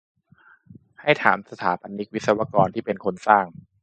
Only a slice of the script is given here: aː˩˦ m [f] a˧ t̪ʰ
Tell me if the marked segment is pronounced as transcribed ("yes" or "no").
no